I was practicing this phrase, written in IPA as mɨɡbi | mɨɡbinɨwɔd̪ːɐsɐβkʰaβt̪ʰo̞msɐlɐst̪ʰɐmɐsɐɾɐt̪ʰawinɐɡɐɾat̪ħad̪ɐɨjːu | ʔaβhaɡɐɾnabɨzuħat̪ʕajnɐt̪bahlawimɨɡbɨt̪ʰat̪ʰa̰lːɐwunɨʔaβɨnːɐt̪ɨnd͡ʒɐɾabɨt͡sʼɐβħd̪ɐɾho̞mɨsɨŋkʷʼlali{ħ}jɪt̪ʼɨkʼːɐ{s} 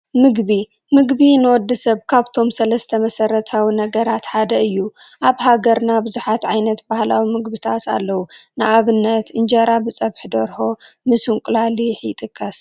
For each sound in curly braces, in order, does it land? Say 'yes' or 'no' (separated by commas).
yes, yes